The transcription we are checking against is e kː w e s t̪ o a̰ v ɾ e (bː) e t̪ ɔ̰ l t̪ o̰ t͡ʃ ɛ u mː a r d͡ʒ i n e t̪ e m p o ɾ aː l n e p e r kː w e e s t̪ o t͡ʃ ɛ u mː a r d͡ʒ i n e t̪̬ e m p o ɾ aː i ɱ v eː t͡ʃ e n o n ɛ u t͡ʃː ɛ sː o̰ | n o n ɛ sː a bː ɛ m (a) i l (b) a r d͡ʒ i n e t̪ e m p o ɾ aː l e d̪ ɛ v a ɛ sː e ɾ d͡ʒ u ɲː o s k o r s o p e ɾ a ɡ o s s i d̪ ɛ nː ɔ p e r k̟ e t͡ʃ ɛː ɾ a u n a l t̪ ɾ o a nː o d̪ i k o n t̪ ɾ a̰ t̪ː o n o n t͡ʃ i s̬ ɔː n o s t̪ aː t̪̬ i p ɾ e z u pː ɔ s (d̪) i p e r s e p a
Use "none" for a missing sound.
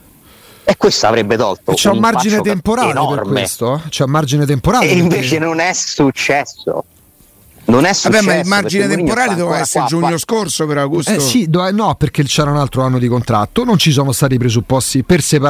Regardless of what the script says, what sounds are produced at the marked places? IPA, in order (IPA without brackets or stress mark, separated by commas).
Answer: bː, a, m, t̪